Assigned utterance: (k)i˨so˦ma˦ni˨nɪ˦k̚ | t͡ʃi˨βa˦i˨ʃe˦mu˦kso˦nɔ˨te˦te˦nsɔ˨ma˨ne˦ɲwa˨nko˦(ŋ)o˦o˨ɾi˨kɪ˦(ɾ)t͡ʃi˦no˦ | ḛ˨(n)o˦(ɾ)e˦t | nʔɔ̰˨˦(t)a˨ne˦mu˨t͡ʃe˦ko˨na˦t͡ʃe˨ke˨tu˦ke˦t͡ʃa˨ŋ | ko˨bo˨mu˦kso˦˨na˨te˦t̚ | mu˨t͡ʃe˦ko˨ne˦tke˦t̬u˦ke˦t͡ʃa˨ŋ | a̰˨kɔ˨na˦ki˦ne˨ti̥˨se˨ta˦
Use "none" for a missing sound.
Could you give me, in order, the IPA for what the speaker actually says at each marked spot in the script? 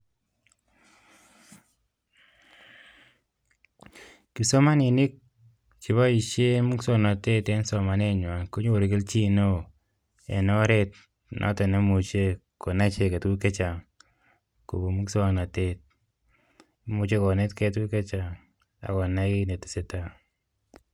k, ɲ, l, n, ɾ, t

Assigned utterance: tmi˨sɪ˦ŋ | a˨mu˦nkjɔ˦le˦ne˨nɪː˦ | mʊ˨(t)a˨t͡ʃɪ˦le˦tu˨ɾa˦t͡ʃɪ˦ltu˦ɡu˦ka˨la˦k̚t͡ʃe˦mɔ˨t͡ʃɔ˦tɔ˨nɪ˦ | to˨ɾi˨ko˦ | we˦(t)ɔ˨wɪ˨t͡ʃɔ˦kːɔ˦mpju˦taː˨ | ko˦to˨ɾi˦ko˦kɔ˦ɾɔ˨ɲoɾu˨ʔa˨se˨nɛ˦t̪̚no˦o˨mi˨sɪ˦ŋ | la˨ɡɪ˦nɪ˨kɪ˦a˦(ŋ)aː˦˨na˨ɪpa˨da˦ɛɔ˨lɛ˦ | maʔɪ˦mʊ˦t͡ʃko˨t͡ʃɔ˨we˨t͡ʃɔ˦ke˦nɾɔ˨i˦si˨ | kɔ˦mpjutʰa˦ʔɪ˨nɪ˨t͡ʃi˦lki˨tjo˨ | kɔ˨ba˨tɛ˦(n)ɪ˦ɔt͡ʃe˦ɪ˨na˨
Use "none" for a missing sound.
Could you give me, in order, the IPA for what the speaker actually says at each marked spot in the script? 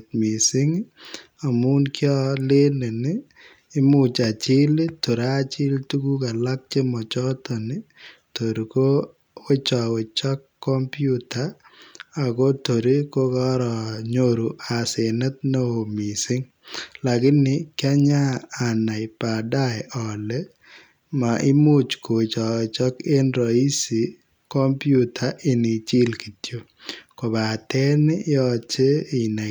t͡ʃ, t͡ʃ, ɲ, n

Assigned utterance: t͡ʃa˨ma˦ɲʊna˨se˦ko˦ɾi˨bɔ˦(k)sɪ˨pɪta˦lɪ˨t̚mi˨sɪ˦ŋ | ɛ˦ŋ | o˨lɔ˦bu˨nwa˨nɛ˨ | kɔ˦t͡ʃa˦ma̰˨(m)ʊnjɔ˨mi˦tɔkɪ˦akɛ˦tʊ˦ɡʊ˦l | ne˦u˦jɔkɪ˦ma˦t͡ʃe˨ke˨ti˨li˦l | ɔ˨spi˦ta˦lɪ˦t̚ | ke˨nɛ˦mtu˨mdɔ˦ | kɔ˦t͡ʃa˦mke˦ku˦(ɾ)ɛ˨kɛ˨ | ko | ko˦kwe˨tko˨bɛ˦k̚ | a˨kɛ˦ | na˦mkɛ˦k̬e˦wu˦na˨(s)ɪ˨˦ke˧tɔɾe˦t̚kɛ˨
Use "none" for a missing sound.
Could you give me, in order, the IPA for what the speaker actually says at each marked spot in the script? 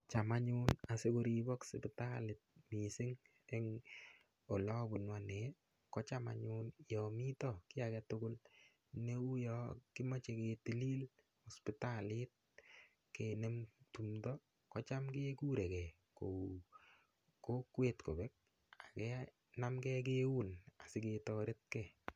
k, ɲ, ɾ, s

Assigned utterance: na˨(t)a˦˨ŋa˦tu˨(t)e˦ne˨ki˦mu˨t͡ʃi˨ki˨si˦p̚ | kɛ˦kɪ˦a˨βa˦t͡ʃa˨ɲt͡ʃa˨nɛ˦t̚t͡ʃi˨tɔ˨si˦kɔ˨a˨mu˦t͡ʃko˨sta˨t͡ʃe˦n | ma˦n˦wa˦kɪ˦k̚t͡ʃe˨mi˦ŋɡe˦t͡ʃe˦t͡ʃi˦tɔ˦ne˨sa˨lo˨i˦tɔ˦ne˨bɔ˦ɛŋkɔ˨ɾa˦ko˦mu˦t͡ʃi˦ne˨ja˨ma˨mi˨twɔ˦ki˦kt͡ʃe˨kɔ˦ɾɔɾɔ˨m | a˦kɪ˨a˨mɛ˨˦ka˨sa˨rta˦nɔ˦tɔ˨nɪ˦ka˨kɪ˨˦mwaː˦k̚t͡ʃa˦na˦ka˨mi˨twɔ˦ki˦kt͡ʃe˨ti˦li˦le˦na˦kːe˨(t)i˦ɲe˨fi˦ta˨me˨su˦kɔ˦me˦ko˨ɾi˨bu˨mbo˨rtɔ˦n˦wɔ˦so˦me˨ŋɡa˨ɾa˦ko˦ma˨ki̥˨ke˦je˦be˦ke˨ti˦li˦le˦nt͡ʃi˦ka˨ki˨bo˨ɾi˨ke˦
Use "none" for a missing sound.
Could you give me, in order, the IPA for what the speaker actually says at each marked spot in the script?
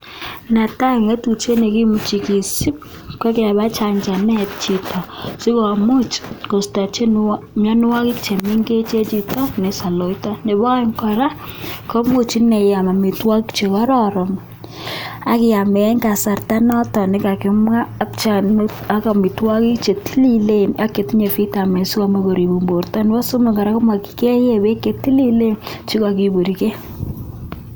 t, t͡ʃ, t

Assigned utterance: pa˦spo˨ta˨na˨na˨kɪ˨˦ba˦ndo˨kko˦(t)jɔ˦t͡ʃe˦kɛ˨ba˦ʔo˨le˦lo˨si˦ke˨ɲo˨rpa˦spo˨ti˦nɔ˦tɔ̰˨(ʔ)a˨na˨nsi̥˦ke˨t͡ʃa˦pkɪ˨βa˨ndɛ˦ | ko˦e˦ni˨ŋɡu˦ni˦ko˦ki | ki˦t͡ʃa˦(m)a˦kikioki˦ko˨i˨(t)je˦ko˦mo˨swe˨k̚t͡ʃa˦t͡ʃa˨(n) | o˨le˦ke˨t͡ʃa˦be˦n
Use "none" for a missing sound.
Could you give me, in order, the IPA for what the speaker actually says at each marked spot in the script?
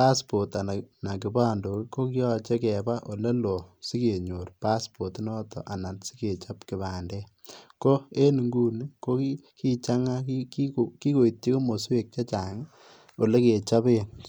k, ʔ, ŋ, t, ŋ

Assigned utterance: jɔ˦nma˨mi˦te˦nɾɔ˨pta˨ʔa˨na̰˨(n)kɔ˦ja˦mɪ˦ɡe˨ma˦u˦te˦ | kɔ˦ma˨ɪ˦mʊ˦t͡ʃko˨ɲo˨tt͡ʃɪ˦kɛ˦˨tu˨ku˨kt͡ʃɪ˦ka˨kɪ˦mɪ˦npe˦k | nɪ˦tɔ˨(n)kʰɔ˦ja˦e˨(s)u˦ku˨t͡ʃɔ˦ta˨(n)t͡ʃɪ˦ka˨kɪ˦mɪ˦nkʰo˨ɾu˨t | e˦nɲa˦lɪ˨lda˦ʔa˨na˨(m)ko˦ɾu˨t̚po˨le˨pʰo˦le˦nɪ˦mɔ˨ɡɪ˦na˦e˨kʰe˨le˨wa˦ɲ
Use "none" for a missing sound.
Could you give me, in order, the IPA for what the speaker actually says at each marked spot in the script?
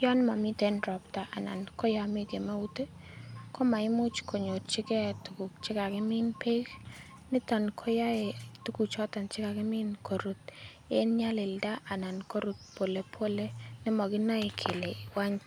n, n, t, n, n

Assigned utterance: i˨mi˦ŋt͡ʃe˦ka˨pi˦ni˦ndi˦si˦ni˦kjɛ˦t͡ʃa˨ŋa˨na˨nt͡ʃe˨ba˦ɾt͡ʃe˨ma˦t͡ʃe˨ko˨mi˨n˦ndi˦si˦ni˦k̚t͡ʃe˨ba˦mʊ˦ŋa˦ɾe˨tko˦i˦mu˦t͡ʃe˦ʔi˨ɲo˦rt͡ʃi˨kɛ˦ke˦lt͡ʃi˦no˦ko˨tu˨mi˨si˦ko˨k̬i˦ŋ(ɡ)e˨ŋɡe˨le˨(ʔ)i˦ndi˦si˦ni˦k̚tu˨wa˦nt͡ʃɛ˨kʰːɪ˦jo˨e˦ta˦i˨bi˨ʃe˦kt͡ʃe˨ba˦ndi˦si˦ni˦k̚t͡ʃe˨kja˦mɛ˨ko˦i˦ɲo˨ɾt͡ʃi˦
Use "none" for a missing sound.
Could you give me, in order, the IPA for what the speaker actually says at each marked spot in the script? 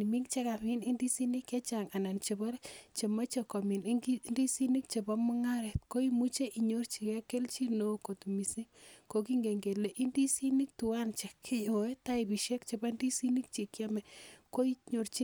ɡ, ʔ

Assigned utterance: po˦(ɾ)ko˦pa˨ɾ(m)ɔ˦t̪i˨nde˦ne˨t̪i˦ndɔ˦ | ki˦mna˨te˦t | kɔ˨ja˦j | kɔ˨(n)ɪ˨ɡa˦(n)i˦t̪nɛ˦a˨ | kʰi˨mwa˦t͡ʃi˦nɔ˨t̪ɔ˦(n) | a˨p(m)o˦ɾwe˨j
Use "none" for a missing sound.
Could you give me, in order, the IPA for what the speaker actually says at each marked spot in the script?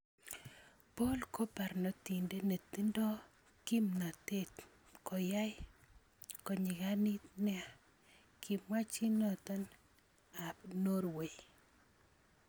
l, n, ɲ, n, n, n

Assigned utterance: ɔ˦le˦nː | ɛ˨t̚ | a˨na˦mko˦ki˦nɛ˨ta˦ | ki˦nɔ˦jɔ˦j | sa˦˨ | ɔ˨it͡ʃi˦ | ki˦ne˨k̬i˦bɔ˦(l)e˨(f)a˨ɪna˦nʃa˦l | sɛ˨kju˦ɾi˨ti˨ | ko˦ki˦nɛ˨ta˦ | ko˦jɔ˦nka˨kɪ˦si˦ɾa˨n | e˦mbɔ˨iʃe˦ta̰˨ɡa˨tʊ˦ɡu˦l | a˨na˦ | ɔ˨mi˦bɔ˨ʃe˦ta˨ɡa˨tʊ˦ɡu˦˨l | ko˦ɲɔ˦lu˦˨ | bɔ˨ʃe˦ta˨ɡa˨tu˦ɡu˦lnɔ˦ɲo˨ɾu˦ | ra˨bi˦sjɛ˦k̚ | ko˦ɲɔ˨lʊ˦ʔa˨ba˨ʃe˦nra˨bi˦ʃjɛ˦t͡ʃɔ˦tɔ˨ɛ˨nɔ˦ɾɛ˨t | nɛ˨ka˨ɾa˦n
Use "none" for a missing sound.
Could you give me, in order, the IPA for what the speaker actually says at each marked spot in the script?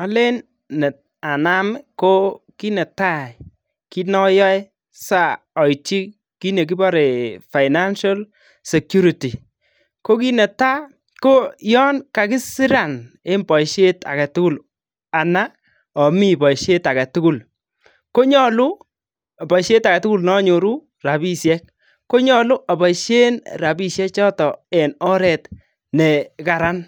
ɾ, f

